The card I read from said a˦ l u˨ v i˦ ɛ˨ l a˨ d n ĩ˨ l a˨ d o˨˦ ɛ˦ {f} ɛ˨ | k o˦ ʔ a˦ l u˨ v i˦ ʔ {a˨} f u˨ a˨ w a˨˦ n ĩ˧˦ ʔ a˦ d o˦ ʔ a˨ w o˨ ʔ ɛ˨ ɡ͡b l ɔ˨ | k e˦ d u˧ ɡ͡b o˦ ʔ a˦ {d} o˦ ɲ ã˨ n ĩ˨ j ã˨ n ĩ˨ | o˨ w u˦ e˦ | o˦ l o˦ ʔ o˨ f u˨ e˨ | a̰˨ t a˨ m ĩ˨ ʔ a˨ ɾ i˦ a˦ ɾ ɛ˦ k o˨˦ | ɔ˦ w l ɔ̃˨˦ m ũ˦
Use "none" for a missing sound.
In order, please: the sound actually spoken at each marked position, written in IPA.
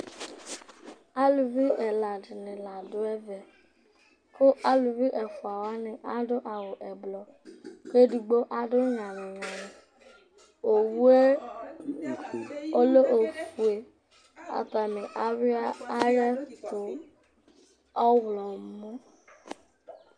v, ɛ˨, d

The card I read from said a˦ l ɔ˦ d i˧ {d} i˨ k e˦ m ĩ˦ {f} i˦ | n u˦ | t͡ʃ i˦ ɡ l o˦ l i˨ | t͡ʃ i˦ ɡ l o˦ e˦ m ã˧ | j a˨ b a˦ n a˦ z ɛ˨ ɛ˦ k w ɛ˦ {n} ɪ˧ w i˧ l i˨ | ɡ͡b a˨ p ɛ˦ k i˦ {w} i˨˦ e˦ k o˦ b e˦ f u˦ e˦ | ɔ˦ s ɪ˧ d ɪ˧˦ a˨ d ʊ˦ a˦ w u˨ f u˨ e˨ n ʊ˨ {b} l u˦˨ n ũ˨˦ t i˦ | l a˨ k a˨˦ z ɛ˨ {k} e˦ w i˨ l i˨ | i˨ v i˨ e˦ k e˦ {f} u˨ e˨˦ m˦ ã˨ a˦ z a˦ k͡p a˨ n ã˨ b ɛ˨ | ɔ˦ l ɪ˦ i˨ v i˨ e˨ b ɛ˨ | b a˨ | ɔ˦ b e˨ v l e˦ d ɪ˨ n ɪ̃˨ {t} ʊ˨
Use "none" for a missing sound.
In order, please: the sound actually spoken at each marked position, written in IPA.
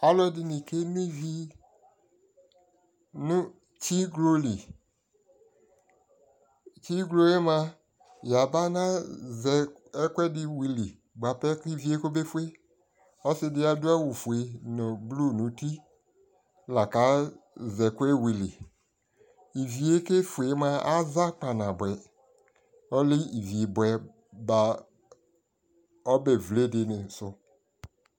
n, v, d, v, b, k, f, s

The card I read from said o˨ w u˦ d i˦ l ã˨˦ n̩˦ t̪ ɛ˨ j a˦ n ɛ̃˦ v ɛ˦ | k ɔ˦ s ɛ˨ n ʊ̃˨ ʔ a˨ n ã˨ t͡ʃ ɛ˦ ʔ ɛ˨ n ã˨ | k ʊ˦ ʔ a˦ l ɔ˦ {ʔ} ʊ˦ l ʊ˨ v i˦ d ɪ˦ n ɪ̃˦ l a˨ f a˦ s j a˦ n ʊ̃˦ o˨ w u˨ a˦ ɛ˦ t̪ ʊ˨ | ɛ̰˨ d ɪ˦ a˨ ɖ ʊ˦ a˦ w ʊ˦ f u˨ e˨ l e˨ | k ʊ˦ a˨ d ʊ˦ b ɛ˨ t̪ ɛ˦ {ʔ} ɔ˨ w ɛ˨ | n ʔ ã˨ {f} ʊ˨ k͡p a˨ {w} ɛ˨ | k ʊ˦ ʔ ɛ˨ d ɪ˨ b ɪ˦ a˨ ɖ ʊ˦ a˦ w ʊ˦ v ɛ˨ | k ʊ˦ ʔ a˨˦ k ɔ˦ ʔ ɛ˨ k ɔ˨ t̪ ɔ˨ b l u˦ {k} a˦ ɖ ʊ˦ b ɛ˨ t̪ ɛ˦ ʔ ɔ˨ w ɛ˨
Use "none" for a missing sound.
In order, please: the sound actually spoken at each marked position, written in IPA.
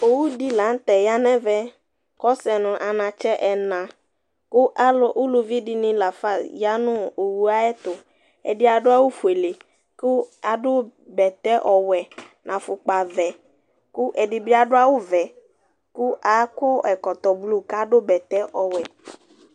ʔ, ʔ, f, v, k

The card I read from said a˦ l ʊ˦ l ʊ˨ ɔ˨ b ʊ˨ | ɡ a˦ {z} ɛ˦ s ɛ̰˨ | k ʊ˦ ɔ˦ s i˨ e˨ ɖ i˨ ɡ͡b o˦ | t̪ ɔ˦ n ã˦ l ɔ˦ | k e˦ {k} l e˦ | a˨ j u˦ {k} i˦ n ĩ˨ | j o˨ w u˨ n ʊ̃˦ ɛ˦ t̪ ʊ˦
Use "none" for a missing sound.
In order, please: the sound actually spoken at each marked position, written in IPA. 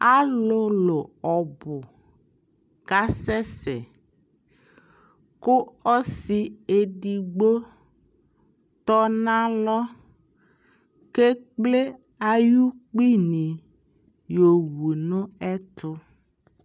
s, k͡p, k͡p

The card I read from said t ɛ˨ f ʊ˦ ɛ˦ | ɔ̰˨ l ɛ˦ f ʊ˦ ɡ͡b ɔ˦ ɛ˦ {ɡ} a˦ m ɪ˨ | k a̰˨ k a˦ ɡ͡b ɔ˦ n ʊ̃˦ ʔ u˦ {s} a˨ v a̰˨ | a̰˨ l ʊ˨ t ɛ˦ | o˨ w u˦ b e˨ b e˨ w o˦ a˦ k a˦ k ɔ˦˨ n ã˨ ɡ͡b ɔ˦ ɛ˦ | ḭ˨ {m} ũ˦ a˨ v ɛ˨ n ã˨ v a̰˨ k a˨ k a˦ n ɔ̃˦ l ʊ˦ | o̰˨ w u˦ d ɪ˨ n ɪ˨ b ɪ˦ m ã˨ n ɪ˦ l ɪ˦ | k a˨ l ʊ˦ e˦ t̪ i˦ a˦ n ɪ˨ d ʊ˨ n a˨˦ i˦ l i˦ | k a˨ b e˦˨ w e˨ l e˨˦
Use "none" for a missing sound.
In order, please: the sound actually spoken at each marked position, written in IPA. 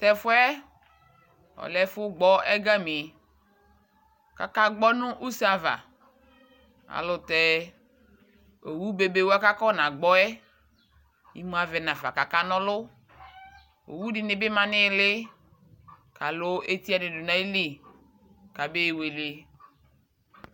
ɡ, s, m

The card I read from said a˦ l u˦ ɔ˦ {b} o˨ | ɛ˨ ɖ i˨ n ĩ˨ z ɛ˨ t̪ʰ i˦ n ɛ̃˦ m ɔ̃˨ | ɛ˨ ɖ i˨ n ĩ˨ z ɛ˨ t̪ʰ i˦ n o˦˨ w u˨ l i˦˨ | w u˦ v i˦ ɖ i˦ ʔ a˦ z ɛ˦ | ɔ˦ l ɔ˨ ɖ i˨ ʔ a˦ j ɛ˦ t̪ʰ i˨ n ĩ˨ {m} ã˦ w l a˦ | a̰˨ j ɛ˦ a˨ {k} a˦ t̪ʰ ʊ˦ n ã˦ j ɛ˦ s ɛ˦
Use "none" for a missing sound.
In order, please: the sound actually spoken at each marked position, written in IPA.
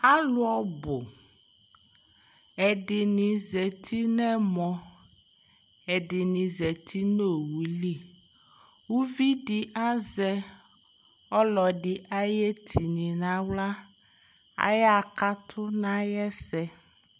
b, n, k

